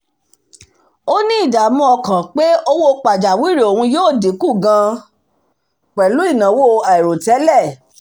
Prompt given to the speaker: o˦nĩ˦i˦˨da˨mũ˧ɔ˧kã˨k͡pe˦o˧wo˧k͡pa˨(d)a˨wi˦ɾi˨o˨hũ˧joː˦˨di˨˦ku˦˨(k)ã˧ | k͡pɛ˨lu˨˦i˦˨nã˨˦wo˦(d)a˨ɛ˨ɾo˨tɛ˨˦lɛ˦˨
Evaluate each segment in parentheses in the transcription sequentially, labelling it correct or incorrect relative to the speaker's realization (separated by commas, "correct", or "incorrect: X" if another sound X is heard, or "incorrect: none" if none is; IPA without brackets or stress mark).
incorrect: d͡ʒ, incorrect: ɡ, incorrect: none